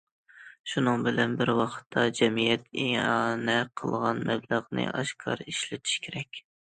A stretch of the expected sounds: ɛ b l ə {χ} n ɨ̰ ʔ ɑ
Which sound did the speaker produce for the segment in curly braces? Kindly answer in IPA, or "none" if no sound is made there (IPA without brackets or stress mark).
ʁ